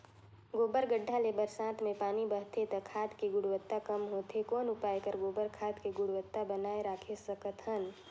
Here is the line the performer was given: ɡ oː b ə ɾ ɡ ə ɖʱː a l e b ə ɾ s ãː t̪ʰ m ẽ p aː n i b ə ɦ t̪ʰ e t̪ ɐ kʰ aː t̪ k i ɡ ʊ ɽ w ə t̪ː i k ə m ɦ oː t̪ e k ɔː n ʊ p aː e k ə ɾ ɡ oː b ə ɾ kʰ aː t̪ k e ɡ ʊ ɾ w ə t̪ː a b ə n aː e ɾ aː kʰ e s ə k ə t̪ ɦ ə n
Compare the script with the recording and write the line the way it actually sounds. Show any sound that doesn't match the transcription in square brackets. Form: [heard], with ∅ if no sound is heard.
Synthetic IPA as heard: ɡ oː b ə ɾ ɡ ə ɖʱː a l e b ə ɾ s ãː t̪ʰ m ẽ p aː n i b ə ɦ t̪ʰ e t̪ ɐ kʰ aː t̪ k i ɡ ʊ ɽ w ə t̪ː [a] k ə m ɦ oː t̪ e k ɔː n ʊ p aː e k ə ɾ ɡ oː b ə ɾ kʰ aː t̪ k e ɡ ʊ [ɽ] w ə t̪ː a b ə n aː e ɾ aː kʰ e s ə k ə t̪ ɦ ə n